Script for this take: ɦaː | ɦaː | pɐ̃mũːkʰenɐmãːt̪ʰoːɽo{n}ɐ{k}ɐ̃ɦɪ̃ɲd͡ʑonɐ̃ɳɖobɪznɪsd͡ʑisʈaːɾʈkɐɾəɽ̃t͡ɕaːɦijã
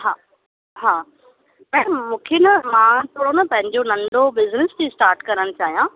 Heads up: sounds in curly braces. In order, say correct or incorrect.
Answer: correct, incorrect: p

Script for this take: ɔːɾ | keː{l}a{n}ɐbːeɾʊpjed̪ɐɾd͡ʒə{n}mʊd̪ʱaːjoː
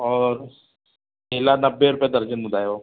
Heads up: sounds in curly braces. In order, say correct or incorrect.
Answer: correct, correct, correct

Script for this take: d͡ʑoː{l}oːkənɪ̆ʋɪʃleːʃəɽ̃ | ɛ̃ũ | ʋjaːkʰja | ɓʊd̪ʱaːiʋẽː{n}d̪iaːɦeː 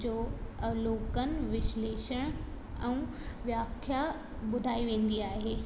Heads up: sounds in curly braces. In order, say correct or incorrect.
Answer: correct, correct

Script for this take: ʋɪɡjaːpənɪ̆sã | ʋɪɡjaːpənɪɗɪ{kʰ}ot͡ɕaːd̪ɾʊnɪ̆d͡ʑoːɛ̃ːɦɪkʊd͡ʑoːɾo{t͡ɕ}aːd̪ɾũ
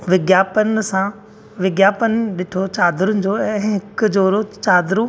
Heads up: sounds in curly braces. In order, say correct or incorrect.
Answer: incorrect: ʈʰ, correct

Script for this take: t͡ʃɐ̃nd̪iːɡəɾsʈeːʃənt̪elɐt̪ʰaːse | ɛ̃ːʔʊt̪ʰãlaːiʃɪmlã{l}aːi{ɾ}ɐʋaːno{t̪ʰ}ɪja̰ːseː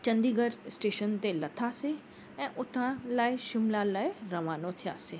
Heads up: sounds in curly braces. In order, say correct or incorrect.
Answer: correct, correct, correct

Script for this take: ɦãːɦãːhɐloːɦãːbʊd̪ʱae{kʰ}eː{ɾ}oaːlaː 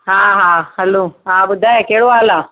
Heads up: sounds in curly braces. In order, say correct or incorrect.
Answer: incorrect: k, incorrect: ɽ

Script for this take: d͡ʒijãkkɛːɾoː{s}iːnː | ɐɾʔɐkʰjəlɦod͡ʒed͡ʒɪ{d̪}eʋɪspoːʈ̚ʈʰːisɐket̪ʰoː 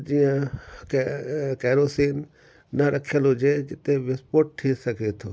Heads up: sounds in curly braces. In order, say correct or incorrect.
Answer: correct, incorrect: t̪

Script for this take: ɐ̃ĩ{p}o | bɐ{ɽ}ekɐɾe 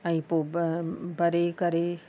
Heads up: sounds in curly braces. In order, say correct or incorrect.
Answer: correct, incorrect: ɾ

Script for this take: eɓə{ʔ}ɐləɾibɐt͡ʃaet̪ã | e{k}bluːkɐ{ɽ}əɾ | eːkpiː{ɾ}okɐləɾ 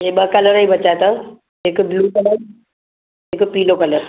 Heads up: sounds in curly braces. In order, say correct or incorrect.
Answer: incorrect: k, correct, incorrect: l, incorrect: l

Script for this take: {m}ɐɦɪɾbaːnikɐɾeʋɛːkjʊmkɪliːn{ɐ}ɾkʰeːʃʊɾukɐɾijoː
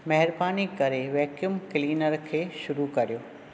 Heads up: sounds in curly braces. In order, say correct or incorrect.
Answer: correct, incorrect: ə

